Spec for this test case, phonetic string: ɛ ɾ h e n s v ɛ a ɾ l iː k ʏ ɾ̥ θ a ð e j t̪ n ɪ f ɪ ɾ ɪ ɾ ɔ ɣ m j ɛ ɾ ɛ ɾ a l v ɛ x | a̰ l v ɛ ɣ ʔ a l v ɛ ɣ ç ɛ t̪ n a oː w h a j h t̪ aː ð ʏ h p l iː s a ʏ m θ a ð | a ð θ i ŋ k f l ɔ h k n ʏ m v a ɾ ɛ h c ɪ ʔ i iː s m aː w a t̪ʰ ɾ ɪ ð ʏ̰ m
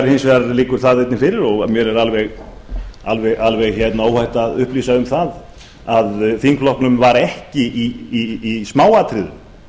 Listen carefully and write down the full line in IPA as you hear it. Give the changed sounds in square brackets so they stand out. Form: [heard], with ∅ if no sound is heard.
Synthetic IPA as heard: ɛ ɾ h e n s v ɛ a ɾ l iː k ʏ ɾ̥ θ a ð e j t̪ n ɪ f ɪ ɾ ɪ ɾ ɔ ɣ m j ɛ ɾ ɛ ɾ a l v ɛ [ɣ] | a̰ l v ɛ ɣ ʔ a l v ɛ ɣ ç ɛ t̪ n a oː w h a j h t̪ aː ð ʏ h p l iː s a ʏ m θ a ð | a ð θ i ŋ k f l ɔ h k n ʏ m v a ɾ ɛ h c ɪ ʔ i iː s m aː w a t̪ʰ ɾ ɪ ð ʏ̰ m

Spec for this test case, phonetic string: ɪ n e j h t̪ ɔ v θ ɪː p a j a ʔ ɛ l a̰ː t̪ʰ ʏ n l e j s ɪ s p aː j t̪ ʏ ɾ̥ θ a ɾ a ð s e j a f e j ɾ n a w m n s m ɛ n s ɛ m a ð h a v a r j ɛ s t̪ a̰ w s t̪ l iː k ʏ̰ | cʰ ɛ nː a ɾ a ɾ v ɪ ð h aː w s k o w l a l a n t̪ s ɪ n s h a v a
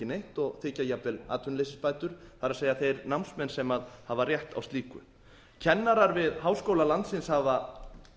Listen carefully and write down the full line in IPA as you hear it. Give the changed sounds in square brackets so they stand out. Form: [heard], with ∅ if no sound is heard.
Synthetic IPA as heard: ɪ n e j h t̪ ɔ [ɣ] θ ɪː [c] a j a [p] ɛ l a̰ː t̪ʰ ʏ n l e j s ɪ s p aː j t̪ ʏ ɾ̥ θ a ɾ a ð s e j a [θ] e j ɾ n a w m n s m ɛ n s ɛ m a ð h a v a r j ɛ [h] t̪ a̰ w s t̪ l iː k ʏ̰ | cʰ ɛ nː a ɾ a ɾ v ɪ ð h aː w s k o w l a l a n t̪ s ɪ n s h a v a

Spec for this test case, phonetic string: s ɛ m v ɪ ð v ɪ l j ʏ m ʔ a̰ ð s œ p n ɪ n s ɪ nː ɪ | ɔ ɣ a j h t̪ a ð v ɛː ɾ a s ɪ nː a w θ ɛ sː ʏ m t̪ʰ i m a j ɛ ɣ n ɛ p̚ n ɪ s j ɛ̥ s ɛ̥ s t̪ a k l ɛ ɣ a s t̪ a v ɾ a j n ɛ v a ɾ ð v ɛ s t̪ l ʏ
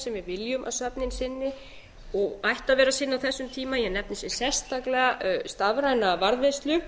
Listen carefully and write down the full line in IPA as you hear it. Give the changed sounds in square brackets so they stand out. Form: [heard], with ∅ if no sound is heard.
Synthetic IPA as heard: s ɛ m v ɪ ð v ɪ l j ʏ m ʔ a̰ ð s œ p n ɪ n s ɪ nː ɪ | ɔ ɣ a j h t̪ a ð v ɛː ɾ a s ɪ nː a w θ ɛ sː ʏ m t̪ʰ [iː] m a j ɛ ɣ n ɛ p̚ n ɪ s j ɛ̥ s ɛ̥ s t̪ a k l ɛ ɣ a s t̪ a v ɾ a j n [a] v a ɾ ð v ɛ s t̪ l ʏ

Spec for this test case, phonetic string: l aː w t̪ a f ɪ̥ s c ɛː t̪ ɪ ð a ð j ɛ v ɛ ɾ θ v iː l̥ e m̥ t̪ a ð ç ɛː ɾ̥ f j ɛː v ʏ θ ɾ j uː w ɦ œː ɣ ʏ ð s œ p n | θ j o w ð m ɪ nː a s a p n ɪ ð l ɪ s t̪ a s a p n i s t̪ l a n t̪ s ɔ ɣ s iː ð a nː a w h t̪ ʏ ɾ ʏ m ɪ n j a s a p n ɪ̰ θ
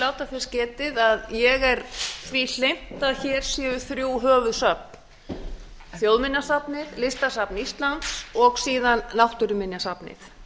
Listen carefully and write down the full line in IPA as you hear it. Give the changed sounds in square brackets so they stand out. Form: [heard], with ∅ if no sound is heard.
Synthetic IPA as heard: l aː w t̪ a f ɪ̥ s c ɛː t̪ ɪ ð a ð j ɛ [ɣ] ɛ ɾ θ v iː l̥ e m̥ t̪ a ð ç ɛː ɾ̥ [s] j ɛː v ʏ θ ɾ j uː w ɦ œː [v] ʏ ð s œ p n | θ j o w ð m ɪ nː a s a p n ɪ ð l ɪ s t̪ a s a p n i s t̪ l a n t̪ s ɔ ɣ s iː ð a nː a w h t̪ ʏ ɾ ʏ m ɪ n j a s a p n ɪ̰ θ

